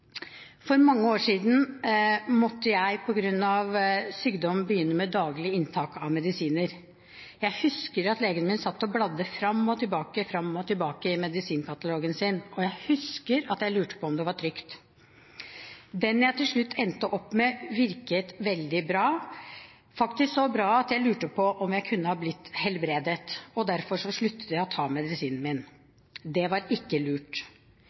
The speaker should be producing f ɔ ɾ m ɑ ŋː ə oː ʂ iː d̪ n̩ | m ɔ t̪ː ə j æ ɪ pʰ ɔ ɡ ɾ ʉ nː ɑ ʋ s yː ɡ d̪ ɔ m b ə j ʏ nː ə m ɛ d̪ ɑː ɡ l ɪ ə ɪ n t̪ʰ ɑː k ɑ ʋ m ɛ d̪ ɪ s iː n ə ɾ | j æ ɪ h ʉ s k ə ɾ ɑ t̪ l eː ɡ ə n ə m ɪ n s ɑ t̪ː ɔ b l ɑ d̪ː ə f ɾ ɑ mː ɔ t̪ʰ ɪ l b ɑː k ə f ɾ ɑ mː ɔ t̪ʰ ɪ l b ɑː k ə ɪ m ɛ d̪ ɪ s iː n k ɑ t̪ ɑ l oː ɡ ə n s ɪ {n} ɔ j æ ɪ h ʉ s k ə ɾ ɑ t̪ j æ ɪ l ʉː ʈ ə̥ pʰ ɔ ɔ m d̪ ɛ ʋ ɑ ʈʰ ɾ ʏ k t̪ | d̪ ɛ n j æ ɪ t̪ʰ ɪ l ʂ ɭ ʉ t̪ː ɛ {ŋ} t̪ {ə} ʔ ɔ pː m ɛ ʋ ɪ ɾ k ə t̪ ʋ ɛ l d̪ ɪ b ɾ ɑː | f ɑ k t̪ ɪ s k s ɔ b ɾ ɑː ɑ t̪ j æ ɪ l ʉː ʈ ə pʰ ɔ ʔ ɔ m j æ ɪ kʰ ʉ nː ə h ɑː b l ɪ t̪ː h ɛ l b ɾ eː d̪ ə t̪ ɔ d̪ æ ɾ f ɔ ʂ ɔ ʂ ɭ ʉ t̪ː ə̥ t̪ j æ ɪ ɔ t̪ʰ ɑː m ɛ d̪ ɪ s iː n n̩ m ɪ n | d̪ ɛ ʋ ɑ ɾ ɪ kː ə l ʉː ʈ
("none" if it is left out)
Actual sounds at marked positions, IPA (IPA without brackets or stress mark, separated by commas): n, n, ə